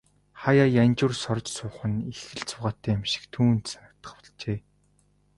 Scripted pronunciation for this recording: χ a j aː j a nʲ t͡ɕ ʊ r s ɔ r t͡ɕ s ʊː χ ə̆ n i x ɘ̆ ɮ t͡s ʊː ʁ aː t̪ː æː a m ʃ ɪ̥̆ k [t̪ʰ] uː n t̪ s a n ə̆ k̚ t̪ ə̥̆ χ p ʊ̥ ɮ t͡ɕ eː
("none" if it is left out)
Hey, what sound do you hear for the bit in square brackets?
t̪ʰ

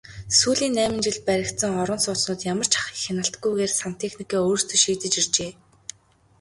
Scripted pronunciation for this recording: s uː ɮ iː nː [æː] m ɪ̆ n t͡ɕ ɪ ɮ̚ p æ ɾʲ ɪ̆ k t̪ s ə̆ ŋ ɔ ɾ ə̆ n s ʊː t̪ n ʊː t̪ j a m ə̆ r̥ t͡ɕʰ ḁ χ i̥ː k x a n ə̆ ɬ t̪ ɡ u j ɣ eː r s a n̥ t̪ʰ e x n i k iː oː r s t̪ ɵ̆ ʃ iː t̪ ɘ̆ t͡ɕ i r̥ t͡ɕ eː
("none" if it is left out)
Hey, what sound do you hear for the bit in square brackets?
æː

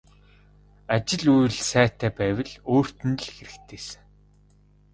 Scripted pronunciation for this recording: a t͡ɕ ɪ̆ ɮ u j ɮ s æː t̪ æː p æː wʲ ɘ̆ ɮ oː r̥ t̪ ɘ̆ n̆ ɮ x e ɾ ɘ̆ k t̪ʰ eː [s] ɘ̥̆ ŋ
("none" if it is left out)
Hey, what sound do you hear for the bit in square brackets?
s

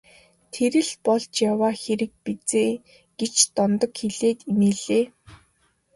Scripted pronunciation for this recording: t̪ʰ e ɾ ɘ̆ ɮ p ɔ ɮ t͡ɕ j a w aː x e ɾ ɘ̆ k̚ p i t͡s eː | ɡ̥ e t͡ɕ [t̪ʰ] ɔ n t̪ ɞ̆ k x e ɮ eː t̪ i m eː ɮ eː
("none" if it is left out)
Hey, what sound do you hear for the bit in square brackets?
t̪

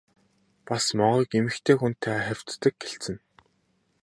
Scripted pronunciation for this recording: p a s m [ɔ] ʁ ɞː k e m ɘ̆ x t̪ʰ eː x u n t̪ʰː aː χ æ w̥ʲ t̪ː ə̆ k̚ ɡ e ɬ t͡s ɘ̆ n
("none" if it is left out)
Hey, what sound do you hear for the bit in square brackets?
ɔ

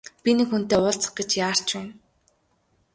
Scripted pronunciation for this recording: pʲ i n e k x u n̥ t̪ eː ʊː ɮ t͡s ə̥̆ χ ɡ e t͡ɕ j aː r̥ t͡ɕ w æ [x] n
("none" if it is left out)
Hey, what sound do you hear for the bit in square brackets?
none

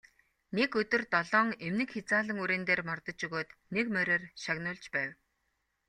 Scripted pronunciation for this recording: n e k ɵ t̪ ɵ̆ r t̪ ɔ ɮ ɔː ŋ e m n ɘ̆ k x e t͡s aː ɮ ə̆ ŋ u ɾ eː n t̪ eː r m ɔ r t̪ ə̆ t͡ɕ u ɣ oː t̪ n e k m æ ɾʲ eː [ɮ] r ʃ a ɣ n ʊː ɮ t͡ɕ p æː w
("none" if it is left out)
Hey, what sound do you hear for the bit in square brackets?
none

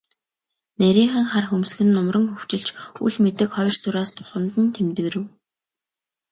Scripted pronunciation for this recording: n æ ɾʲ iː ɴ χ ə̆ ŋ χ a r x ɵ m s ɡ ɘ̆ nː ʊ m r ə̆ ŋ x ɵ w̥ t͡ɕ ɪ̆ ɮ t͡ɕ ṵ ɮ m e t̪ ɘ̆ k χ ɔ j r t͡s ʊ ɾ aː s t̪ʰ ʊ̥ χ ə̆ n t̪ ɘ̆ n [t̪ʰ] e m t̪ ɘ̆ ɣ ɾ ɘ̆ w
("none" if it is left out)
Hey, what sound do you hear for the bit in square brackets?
t̪ʰ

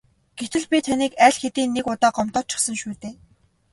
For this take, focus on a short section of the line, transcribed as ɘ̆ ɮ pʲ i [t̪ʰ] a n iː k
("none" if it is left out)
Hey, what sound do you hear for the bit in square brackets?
t̪ʰ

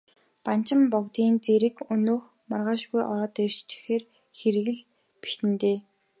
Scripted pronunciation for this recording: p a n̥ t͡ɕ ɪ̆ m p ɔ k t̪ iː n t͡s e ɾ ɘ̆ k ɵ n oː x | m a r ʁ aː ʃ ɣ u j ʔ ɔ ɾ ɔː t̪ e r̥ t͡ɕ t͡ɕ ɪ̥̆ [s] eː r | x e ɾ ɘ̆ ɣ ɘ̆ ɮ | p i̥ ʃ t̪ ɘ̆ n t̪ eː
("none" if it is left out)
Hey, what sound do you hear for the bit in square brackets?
x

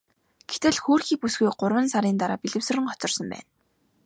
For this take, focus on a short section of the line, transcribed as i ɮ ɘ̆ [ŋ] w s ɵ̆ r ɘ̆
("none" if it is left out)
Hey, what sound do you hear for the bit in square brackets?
none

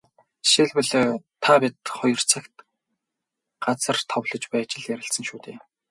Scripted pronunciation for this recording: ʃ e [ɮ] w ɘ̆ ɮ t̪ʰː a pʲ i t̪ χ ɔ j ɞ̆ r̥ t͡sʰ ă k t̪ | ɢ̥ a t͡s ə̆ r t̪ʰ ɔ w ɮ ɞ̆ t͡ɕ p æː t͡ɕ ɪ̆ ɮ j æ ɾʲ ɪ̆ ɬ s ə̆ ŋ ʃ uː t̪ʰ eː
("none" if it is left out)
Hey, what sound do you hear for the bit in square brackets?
ɮ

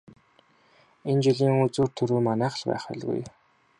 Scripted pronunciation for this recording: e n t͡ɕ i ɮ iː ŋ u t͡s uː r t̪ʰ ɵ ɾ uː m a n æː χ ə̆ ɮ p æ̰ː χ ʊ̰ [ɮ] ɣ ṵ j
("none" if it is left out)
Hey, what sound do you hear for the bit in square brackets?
ɮ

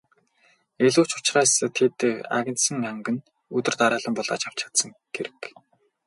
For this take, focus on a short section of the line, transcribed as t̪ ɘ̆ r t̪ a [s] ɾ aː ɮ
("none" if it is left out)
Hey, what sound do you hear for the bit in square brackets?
none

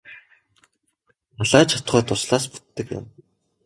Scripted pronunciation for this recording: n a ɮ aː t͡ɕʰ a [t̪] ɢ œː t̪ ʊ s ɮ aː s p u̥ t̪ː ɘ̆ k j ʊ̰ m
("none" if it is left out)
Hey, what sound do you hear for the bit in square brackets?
t̪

